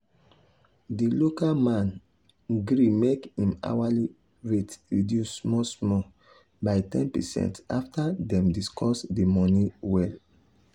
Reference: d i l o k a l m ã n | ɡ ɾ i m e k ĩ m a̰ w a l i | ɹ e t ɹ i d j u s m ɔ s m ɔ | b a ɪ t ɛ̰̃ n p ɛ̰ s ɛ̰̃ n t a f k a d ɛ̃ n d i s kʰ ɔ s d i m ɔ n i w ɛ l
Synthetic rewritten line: d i l o k a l m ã n | ɡ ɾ i m e k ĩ m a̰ w a l i | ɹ e t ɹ i d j u s m ɔ s m ɔ | b a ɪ t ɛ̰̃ n p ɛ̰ s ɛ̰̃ n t a f t a d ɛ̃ m d i s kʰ ɔ s d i m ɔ n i w ɛ l